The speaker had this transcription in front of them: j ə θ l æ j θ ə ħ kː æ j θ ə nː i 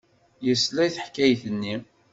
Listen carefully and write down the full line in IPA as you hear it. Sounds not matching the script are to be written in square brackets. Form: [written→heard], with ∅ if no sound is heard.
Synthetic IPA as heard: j ə [θ→s] l æ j θ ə ħ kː æ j θ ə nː i